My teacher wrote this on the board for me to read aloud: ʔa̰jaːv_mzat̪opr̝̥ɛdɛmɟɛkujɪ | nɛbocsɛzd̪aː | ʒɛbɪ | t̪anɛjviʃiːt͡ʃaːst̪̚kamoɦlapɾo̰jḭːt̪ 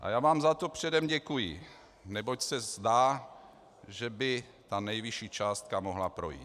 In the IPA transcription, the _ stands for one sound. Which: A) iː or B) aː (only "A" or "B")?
B